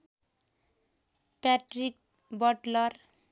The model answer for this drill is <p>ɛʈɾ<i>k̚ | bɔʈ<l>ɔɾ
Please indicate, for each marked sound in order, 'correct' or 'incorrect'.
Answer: correct, correct, correct

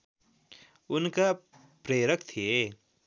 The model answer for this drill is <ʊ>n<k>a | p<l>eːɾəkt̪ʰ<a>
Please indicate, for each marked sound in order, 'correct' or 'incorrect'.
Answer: correct, correct, incorrect, incorrect

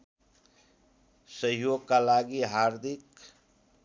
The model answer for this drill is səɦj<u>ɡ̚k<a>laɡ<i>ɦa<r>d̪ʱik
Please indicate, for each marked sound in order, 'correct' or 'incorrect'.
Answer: incorrect, correct, correct, incorrect

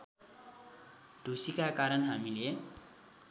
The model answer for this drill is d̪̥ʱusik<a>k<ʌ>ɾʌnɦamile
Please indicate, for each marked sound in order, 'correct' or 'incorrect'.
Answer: correct, incorrect

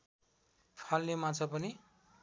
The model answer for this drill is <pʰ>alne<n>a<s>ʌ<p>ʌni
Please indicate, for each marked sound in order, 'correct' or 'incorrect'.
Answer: correct, incorrect, incorrect, correct

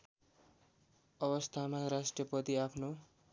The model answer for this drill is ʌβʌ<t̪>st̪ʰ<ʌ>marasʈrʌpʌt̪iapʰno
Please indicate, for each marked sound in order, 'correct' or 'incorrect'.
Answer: incorrect, incorrect

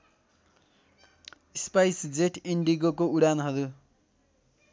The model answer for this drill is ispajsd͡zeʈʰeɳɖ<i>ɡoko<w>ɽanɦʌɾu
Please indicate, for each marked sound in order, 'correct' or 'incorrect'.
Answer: correct, incorrect

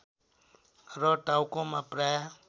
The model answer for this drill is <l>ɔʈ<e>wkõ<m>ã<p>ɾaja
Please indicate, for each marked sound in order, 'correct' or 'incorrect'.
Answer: incorrect, incorrect, correct, correct

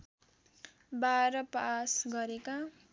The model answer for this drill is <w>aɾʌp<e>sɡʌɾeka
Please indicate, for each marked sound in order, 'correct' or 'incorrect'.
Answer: incorrect, incorrect

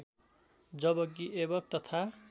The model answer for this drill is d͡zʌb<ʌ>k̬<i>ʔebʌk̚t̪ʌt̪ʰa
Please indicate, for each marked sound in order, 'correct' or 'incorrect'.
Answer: correct, correct

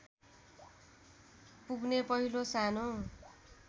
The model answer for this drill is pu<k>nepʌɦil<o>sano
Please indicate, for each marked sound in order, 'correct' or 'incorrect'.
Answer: incorrect, correct

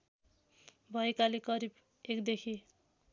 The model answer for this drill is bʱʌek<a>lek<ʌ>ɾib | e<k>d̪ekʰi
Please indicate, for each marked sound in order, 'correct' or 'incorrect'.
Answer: correct, correct, correct

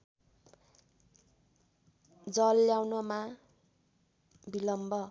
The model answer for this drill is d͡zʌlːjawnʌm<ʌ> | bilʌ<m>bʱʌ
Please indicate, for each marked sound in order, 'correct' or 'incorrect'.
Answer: incorrect, correct

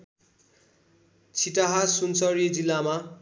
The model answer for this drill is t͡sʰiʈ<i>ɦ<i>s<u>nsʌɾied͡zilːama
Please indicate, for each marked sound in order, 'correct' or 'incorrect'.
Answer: incorrect, incorrect, correct

